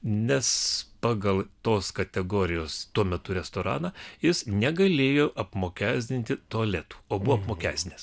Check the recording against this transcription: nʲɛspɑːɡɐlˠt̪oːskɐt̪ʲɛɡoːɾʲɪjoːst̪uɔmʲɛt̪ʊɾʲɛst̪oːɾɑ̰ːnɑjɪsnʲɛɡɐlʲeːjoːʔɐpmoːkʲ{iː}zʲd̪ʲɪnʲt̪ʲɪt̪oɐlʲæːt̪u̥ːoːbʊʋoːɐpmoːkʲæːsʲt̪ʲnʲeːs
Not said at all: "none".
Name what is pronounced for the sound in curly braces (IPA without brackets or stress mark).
æː